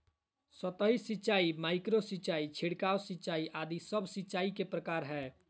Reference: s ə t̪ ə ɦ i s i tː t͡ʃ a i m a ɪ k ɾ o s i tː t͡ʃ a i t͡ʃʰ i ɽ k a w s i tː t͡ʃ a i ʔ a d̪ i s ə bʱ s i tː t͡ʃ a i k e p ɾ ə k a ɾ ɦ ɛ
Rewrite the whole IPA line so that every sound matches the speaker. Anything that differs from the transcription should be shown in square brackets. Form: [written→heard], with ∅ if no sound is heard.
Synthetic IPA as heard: s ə t̪ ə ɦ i s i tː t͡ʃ a i m a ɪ k ɾ o s i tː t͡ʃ a i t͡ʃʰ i ɽ k a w s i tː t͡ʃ a i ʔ a d̪ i s ə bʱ s i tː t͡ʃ a i k e p ɾ ə k a ɾ ɦ ɛ